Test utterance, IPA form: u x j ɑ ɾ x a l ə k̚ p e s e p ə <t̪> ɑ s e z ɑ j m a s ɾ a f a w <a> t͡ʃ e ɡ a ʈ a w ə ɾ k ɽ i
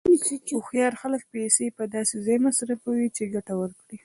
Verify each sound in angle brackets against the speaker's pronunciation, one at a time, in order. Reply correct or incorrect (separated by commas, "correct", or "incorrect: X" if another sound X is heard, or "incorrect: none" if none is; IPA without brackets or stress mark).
incorrect: d̪, incorrect: i